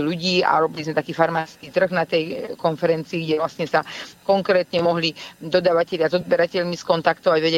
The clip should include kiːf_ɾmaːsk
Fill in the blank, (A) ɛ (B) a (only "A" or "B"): B